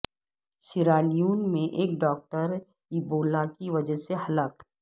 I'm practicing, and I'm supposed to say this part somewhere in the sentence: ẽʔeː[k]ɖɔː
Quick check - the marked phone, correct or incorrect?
correct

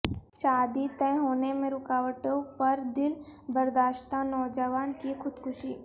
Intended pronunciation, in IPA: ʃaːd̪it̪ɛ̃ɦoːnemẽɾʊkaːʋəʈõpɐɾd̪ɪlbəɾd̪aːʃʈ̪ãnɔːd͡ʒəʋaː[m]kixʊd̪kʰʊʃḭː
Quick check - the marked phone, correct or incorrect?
incorrect: n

